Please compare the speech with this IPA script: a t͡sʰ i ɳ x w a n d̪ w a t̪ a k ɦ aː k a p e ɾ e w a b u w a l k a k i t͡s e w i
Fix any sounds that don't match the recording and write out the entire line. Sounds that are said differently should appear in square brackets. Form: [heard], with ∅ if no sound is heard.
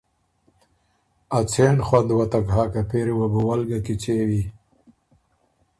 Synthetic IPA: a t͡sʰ [e] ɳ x w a n d̪ w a t̪ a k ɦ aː k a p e ɾ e w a b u w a l [ɡ] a k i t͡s e w i

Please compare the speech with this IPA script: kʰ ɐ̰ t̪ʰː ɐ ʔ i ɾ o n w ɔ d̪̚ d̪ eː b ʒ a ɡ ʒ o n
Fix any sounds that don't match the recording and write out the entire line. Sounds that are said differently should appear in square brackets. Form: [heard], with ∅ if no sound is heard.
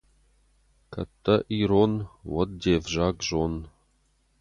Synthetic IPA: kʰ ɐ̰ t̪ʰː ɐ ʔ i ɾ o n w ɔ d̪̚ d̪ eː [v] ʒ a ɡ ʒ o n

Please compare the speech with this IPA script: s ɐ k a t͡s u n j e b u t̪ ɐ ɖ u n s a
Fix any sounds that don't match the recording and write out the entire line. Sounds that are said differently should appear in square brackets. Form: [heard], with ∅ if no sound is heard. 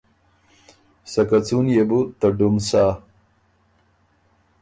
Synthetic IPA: s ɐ k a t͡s u n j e b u t̪ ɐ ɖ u [m] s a

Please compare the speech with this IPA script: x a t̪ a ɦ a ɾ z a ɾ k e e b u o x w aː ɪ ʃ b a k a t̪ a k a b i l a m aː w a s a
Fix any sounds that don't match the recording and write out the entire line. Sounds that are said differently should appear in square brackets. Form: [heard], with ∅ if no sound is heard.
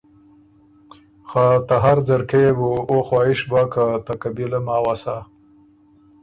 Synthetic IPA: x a t̪ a ɦ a ɾ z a ɾ k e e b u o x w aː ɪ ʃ b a k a t̪ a k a b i l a m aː w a s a

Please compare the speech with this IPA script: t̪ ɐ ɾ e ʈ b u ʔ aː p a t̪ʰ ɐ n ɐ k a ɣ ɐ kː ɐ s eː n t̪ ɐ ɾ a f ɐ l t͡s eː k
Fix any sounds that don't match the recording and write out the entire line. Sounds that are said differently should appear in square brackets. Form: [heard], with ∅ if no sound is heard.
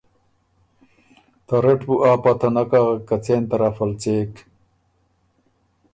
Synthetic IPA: t̪ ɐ ɾ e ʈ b u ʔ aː p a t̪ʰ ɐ n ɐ k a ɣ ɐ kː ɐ [t͡s] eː n t̪ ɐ ɾ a f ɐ l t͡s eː k

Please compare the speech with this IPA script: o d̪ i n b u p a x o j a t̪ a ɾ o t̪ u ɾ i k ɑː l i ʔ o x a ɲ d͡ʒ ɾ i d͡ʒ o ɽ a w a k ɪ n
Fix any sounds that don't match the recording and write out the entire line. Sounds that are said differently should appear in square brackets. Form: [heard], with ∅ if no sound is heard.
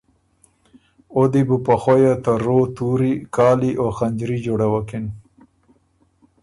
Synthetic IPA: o d̪ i [∅] b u p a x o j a t̪ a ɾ o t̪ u ɾ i k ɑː l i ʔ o x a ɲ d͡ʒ ɾ i d͡ʒ o ɽ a w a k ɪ n

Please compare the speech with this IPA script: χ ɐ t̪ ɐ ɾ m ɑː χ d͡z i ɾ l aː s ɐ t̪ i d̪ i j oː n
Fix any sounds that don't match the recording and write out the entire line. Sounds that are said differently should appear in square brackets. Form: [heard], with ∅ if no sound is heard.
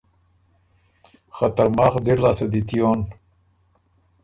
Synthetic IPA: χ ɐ t̪ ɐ ɾ m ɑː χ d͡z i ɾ l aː s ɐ [d̪] i [t̪] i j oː n

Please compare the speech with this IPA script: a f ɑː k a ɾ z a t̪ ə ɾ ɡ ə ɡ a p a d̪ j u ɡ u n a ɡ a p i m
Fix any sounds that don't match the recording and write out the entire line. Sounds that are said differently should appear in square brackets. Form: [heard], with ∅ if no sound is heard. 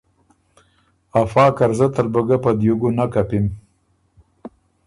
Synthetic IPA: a f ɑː k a ɾ z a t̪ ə ɾ [b] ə ɡ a p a d̪ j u ɡ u n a [k] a p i m

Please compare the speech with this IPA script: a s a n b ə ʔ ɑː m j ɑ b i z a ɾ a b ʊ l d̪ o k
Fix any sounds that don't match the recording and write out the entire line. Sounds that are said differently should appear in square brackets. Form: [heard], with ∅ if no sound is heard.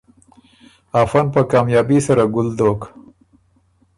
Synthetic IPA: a [f] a n [p] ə [k] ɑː m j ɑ b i [s] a ɾ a [ɡ] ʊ l d̪ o k

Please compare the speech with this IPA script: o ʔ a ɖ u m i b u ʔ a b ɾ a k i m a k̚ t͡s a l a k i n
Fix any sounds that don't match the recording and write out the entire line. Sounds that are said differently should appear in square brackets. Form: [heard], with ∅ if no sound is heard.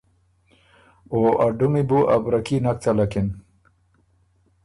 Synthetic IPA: o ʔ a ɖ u m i b u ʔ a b ɾ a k i [n] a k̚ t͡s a l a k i n

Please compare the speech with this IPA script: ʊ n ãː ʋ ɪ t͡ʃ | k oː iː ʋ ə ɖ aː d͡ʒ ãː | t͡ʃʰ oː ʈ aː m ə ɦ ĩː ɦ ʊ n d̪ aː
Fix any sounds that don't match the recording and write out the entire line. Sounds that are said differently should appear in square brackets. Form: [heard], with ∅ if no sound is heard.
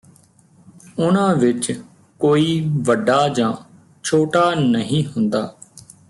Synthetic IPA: ʊ n ãː ʋ ɪ t͡ʃ | k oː iː ʋ ə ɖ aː d͡ʒ ãː | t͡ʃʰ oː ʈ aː [n] ə ɦ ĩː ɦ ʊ n d̪ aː

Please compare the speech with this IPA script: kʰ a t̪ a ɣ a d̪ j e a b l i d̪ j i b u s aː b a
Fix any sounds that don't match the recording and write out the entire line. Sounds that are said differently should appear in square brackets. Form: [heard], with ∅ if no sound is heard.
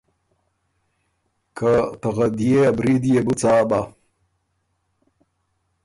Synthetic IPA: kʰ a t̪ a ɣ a d̪ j e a b [ɾ] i d̪ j [e] b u [t͡s] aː b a

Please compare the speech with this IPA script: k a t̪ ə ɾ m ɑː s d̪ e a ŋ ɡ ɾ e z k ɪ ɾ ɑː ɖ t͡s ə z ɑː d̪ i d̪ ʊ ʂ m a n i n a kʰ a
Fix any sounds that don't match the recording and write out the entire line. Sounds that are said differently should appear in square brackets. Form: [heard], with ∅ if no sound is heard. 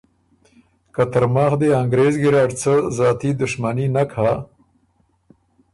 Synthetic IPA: k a t̪ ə ɾ m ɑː [x] d̪ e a ŋ ɡ ɾ e z [ɡ] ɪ ɾ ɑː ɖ t͡s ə z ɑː [t̪] i d̪ ʊ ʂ m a n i n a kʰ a

